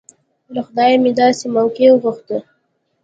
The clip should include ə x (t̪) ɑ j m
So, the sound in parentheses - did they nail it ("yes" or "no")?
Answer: no